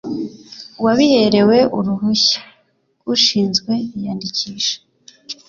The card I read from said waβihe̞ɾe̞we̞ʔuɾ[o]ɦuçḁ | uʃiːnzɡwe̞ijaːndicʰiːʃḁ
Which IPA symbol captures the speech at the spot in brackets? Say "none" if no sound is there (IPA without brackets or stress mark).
u